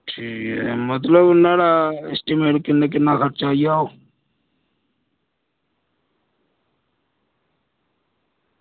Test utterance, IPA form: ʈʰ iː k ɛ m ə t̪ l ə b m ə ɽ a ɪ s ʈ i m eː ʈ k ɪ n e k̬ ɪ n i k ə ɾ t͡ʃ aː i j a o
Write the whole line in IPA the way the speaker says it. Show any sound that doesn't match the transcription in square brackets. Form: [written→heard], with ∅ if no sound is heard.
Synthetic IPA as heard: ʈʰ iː k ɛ m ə t̪ l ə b [m→n] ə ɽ a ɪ s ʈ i m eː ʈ k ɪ n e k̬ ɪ n [i→a] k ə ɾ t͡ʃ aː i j a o